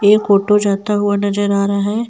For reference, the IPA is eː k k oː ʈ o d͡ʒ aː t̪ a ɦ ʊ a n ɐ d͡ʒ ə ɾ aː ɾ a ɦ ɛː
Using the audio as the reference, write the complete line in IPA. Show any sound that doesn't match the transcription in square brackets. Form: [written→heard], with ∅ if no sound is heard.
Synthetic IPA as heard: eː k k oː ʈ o d͡ʒ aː t̪ a ɦ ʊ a n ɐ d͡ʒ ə ɾ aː ɾ a ɦ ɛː